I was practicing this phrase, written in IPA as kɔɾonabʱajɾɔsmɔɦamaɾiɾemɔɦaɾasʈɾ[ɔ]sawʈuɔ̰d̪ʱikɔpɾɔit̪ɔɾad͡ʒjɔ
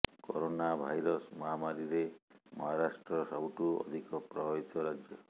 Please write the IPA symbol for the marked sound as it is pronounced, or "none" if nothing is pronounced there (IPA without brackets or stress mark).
ɔ